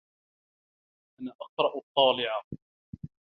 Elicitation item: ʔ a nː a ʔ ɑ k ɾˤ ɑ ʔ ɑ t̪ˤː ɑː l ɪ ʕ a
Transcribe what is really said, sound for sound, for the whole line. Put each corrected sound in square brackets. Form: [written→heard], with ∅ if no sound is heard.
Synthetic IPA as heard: ʔ a [nː→n] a ʔ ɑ [k→q] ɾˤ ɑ ʔ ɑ t̪ˤː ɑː l ɪ ʕ a